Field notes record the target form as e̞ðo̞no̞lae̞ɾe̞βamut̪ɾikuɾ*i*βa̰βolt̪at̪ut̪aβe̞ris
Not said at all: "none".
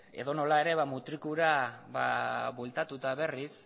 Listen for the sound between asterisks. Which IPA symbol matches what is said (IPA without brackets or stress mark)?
a